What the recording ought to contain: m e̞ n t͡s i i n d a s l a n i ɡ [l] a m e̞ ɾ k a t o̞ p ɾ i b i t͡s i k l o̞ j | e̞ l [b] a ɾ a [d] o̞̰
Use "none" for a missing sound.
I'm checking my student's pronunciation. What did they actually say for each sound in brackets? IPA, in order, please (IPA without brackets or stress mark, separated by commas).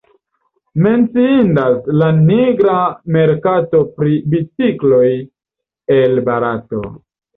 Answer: ɾ, b, t